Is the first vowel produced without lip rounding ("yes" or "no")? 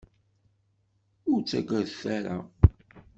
no